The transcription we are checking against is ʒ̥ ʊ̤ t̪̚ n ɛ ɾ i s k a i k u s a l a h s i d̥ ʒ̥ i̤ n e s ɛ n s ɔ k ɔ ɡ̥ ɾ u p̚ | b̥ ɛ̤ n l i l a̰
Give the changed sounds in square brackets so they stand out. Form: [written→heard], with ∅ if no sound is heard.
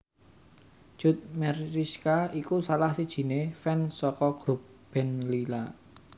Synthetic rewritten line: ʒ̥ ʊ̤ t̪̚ [n→m] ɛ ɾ i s k a i k u s a l a h s i d̥ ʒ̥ i̤ n e [s→f] ɛ n s ɔ k ɔ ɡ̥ ɾ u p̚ | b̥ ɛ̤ n l i l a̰